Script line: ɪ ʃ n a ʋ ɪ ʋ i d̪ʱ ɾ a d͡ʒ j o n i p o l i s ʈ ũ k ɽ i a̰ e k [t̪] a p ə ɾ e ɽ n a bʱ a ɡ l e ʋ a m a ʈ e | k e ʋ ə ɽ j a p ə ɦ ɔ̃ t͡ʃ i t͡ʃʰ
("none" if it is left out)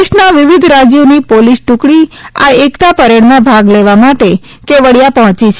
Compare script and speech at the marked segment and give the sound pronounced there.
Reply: t̪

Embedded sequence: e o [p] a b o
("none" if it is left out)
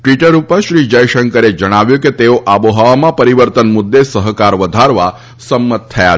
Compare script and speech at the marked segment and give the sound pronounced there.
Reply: ʔ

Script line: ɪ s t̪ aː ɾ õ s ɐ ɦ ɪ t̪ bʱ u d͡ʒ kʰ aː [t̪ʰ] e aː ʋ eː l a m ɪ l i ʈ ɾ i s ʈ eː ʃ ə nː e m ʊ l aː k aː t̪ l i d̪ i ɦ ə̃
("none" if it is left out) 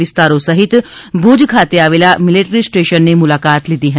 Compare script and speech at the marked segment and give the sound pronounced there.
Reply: t̪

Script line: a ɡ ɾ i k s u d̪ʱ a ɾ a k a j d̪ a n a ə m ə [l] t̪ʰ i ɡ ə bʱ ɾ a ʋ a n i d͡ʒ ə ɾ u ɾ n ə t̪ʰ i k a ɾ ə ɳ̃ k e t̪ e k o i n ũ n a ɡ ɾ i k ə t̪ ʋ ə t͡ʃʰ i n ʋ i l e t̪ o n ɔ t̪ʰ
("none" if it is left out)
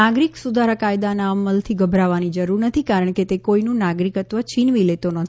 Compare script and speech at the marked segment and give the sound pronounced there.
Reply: l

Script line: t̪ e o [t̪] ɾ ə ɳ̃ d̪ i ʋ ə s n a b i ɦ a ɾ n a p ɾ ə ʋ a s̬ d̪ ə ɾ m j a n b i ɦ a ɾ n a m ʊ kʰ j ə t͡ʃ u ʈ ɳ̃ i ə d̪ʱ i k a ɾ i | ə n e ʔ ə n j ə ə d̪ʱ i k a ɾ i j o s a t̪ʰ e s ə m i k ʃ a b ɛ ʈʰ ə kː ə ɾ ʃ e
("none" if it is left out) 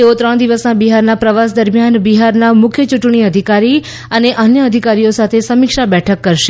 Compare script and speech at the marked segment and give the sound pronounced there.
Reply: t̪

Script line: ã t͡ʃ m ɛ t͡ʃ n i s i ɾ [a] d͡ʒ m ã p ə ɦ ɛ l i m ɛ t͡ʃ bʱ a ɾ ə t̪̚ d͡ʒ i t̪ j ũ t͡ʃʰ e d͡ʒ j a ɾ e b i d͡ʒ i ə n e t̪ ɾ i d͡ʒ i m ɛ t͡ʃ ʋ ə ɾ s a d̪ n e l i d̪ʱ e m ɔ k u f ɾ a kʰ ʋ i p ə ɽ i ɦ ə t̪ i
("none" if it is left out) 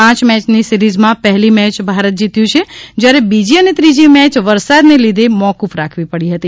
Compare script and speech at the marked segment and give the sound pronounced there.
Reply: i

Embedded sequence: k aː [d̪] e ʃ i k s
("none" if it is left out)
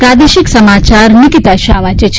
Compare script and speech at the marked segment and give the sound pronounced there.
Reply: d̪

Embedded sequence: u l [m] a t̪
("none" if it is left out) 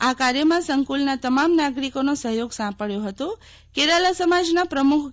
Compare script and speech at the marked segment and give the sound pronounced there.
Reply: n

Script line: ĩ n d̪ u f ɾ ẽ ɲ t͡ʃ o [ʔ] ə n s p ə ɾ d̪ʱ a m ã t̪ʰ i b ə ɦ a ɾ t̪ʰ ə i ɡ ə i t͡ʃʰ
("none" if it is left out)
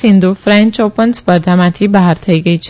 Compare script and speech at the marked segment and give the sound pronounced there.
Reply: p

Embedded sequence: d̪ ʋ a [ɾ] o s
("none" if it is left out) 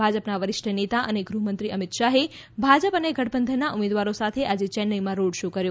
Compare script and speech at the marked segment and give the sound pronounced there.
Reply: ɾ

